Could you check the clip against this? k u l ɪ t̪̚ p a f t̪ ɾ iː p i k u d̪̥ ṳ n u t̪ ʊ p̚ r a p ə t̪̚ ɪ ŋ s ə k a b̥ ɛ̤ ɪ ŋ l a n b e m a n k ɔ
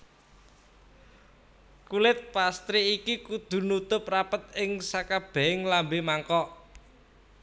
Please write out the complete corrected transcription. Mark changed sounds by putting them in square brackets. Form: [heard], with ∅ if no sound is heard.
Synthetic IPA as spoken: k u l ɪ t̪̚ p a [s] t̪ ɾ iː [k] i k u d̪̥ ṳ n u t̪ ʊ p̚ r a p ə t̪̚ ɪ ŋ s [a] k a b̥ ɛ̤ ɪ ŋ l a [m] b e m a [ŋ] k ɔ

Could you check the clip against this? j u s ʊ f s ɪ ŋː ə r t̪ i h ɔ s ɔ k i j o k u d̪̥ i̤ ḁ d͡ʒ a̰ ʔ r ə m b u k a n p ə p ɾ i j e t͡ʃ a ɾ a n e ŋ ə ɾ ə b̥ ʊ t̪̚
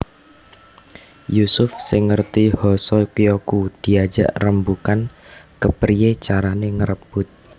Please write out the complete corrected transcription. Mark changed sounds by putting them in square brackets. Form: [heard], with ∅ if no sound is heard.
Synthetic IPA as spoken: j u s ʊ f s ɪ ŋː ə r t̪ i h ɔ s ɔ k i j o k u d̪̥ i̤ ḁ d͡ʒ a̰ ʔ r ə m b u k a n [k] ə p ɾ i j e t͡ʃ a ɾ a n e ŋ ə ɾ ə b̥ ʊ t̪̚

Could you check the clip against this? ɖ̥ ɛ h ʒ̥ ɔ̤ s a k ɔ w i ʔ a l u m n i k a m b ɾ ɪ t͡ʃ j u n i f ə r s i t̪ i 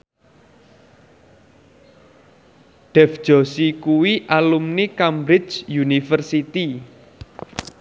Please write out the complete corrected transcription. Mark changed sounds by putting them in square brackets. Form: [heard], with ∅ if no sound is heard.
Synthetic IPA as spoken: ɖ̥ ɛ [f] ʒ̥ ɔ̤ s [i] k [u] w i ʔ a l u m n i k a m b ɾ ɪ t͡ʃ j u n i f ə r s i t̪ i

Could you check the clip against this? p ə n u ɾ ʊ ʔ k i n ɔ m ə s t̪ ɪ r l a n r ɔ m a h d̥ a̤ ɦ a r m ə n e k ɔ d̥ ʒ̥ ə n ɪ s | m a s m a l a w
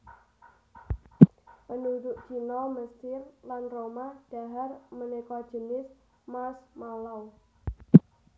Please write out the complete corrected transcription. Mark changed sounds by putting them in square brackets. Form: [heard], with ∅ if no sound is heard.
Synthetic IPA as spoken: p ə n u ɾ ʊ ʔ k i n ɔ m ə s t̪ ɪ r l a n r [o] m a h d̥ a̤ ɦ a r m ə n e k ɔ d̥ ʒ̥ ə n ɪ s | m a s m a l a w

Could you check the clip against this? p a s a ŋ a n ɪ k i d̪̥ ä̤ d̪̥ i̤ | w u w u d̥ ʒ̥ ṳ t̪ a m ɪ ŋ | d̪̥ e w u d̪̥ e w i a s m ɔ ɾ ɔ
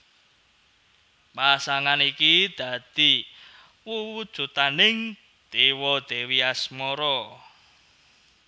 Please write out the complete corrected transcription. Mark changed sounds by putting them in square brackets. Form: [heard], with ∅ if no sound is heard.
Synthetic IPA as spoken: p a s a ŋ a n [i] k i d̪̥ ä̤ d̪̥ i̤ | w u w u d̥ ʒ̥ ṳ t̪ a [n] ɪ ŋ | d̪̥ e w [ɔ] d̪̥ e w i a s m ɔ ɾ ɔ

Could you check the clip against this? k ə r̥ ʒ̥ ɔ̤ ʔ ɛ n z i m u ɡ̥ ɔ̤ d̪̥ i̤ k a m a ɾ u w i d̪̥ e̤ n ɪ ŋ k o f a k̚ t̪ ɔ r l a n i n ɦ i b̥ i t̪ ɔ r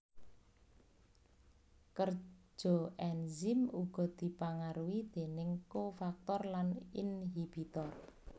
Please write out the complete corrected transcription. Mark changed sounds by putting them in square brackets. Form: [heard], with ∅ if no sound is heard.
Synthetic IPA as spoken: k ə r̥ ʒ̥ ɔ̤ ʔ ɛ n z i m u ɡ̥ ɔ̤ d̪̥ i̤ [p] a [ŋ] a ɾ u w i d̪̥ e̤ n ɪ ŋ k o f a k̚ t̪ ɔ r l a n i n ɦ i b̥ i t̪ ɔ r

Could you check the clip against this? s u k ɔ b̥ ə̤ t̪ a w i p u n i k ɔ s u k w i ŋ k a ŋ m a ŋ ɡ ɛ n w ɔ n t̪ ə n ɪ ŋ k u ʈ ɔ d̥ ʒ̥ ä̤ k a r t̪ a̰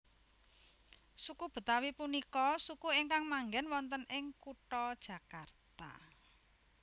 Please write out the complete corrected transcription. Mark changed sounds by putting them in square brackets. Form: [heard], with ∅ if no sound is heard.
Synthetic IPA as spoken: s u k [u] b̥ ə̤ t̪ a w i p u n i k ɔ s u k [u] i ŋ k a ŋ m a ŋ ɡ ɛ n w ɔ n t̪ ə n ɪ ŋ k u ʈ ɔ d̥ ʒ̥ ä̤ k a r t̪ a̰

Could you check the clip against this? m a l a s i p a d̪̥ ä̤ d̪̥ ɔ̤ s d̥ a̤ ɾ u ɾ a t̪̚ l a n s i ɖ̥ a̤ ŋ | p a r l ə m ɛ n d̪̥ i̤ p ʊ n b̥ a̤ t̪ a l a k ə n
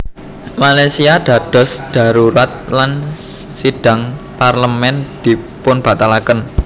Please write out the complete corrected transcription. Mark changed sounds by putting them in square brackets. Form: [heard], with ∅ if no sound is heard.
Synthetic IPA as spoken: m a l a s i [∅] a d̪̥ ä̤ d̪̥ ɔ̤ s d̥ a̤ ɾ u ɾ a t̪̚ l a n s i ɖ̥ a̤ ŋ | p a r l ə m ɛ n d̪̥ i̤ p ʊ n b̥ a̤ t̪ a l a k ə n

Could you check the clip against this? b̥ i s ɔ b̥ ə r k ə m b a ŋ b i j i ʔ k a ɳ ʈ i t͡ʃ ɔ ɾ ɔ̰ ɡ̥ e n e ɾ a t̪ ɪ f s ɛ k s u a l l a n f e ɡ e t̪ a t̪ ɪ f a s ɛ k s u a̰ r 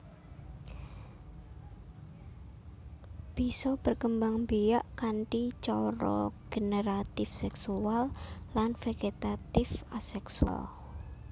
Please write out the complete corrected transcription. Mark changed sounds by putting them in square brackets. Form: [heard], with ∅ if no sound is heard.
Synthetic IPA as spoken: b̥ i s ɔ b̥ ə r k ə m b a ŋ b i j [a] ʔ k a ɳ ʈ i t͡ʃ ɔ ɾ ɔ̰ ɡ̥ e n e ɾ a t̪ ɪ f s ɛ k s u a l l a n f e ɡ e t̪ a t̪ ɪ f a s ɛ k s u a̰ [l]

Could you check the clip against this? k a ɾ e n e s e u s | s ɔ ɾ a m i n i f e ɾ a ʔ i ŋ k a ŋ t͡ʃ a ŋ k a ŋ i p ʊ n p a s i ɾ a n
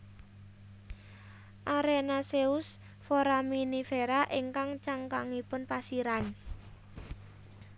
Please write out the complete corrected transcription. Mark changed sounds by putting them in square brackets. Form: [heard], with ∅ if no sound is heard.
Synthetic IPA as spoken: [ʔ] a ɾ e n [a] s e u s | [f] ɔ ɾ a m i n i f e ɾ a ʔ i ŋ k a ŋ t͡ʃ a ŋ k a ŋ i p ʊ n p a s i ɾ a n

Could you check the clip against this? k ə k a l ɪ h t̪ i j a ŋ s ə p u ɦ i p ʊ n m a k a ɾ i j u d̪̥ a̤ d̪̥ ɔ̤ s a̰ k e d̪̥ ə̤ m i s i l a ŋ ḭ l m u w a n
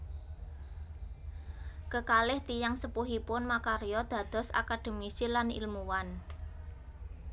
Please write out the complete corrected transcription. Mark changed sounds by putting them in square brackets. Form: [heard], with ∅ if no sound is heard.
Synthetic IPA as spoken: k ə k a l ɪ h t̪ i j a ŋ s ə p u ɦ i p ʊ n m a k a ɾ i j [ɔ] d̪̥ a̤ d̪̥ ɔ̤ s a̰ k [a] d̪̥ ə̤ m i s i l a [n] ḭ l m u w a n

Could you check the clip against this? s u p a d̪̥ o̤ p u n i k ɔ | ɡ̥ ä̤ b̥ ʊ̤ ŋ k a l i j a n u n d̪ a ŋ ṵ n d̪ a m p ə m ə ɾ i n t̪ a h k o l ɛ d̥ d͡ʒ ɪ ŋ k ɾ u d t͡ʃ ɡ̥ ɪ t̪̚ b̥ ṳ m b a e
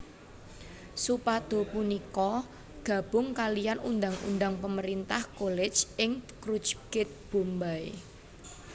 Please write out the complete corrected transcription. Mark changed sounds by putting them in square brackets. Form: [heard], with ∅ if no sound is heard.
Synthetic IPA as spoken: s u p a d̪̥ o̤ p u n i k ɔ | ɡ̥ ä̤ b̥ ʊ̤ ŋ k a l i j a n u n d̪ a ŋ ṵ n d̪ a [ŋ] p ə m ə ɾ i n t̪ a h k o l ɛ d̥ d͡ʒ ɪ ŋ k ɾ u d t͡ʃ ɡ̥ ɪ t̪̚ b̥ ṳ m b a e

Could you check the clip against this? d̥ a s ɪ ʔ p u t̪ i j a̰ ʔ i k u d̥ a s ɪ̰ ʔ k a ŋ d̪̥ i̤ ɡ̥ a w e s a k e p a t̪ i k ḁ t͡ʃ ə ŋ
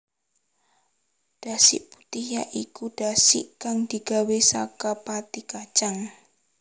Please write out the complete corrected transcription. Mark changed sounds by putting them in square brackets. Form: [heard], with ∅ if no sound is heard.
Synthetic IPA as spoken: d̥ a s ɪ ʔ p u t̪ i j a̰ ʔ i k u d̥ a s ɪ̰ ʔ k a ŋ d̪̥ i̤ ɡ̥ a w e s a k [a] p a t̪ i k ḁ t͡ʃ [a] ŋ

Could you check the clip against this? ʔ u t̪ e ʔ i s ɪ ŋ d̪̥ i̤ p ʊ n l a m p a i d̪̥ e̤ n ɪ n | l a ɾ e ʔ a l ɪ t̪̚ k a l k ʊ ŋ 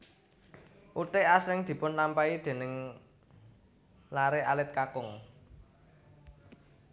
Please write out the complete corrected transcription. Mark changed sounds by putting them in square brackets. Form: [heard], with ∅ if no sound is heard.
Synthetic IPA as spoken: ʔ u t̪ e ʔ [a] s ɪ ŋ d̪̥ i̤ p ʊ n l a m p a i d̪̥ e̤ n ɪ [ŋ] | l a ɾ e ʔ a l ɪ t̪̚ k a [∅] k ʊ ŋ

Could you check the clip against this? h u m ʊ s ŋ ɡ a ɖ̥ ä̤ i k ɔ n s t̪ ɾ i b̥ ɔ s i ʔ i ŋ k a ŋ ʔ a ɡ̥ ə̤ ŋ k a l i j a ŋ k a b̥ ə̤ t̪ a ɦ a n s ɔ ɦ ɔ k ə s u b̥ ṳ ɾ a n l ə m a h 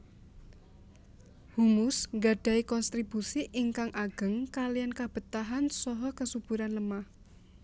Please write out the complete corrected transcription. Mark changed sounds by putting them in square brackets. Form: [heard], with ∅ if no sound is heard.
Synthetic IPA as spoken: h u m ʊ s ŋ ɡ a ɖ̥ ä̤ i k ɔ n s t̪ ɾ i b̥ [u] s i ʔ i ŋ k a ŋ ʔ a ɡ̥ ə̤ ŋ k a l i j a [n] k a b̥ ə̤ t̪ a ɦ a n s ɔ ɦ ɔ k ə s u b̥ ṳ ɾ a n l ə m a h

